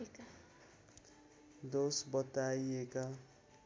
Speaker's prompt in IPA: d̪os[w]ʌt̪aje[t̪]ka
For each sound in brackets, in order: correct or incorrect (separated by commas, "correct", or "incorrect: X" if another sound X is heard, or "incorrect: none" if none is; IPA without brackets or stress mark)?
incorrect: b, incorrect: none